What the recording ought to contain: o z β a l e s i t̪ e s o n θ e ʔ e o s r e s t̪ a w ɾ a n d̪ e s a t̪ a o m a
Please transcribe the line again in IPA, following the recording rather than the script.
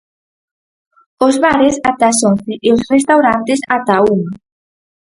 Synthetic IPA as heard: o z β a ɾ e s a t̪ a s o n θ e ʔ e o s r e s t̪ a w ɾ a n t̪ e s a t̪ a u m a